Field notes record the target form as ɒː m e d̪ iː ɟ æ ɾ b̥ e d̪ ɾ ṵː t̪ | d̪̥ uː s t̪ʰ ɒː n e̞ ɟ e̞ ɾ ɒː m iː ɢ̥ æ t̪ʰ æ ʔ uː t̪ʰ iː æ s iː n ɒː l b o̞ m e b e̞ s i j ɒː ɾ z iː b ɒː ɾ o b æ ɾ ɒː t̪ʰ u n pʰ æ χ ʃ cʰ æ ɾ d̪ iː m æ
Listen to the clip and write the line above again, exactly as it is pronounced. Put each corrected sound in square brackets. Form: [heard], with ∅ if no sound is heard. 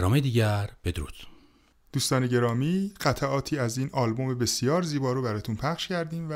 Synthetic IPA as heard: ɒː m e d̪ iː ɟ æ ɾ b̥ e d̪ ɾ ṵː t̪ | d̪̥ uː s [t̪] ɒː n e̞ ɟ e̞ ɾ ɒː m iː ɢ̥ æ t̪ʰ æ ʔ [ɒː] t̪ʰ iː æ [z] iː n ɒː l b o̞ m e b e̞ s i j ɒː ɾ z iː b ɒː ɾ o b æ ɾ ɒː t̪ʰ u n pʰ æ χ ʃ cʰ æ ɾ d̪ iː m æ